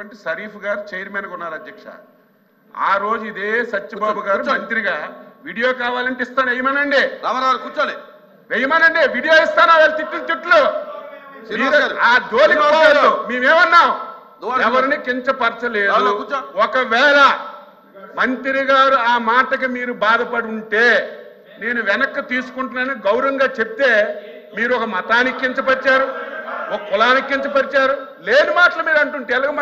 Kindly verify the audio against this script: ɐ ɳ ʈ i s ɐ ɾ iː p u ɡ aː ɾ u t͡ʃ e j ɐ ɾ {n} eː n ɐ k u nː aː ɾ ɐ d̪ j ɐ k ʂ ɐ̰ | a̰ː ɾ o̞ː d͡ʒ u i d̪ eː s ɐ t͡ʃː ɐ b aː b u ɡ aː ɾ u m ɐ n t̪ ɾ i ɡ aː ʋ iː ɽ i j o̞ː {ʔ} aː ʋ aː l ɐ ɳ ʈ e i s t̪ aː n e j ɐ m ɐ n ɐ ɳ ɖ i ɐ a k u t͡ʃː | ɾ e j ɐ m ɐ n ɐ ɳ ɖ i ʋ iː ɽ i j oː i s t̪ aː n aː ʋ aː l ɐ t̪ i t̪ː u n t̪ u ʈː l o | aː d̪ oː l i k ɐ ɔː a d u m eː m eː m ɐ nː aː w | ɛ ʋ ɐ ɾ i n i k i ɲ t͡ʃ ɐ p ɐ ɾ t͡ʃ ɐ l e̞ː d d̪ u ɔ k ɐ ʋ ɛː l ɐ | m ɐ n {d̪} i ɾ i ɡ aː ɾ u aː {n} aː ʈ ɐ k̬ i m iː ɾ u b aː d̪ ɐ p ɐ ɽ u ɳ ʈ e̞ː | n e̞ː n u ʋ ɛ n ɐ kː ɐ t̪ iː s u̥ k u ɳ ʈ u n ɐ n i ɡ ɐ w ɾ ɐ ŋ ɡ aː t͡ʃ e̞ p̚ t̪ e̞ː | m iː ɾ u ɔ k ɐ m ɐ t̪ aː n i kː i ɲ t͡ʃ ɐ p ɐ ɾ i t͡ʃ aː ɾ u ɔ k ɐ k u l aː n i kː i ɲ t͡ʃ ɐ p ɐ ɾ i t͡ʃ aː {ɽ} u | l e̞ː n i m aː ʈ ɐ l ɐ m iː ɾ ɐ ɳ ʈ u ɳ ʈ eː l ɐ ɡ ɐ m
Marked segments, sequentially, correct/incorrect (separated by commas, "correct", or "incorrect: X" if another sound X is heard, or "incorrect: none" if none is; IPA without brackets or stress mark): incorrect: m, incorrect: k, incorrect: t̪, incorrect: m, incorrect: ɾ